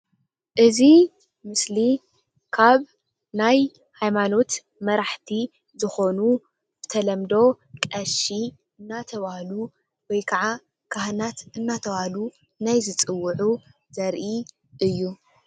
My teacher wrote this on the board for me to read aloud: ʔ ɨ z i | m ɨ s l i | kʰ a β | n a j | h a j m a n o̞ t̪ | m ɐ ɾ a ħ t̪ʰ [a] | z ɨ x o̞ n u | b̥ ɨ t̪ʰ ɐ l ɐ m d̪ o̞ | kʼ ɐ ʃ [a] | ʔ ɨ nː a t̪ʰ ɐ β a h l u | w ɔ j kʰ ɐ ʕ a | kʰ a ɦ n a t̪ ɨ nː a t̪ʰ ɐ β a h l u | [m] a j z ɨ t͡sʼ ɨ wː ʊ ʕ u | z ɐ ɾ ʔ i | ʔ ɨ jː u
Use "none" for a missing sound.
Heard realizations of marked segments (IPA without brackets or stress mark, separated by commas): i, i, n